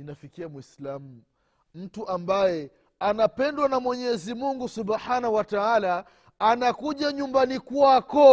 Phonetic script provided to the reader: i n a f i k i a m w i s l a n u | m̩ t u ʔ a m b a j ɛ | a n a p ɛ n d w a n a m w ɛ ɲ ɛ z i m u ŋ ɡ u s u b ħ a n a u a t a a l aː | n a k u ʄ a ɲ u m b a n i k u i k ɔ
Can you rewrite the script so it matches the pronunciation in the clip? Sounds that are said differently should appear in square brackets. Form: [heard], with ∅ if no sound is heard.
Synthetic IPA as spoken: i n a f i k i a m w i s l a [m] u | m̩ t u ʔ a m b a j ɛ | a n a p ɛ n d w a n a m w ɛ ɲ ɛ z i m u ŋ ɡ u s u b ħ a n a [w] a t a a l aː | n a k u ʄ a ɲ u m b a n i k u [a] k ɔ